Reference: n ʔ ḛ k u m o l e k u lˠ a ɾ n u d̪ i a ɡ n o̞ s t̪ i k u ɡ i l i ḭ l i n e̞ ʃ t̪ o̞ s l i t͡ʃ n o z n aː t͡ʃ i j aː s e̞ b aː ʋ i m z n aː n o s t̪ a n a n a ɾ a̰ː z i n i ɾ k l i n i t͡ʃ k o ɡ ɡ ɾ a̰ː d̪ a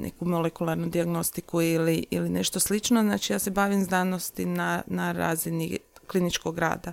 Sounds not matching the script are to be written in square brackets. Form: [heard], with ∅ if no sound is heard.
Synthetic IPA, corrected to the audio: n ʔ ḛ k u m o l e k u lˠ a ɾ n u d̪ i a ɡ n o̞ s t̪ i k u [∅] i l i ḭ l i n e̞ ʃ t̪ o̞ s l i t͡ʃ n o z n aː t͡ʃ i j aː s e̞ b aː ʋ i m z n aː n o s t̪ [i] n a n a ɾ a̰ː z i n i [∅] k l i n i t͡ʃ k o ɡ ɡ ɾ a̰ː d̪ a